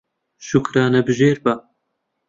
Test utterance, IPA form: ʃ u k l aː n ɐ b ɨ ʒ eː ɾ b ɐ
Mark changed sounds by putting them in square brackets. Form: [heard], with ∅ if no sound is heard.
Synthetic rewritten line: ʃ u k [ɾ] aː n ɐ b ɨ ʒ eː ɾ b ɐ